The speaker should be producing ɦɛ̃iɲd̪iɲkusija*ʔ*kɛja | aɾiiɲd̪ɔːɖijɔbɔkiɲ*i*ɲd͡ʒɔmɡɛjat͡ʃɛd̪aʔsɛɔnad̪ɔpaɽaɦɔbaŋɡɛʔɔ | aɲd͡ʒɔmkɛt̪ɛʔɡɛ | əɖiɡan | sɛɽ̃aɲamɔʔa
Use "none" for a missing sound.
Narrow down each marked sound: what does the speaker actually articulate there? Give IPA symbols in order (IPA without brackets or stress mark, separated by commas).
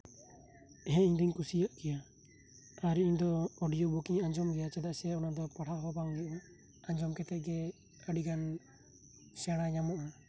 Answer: ʔ, a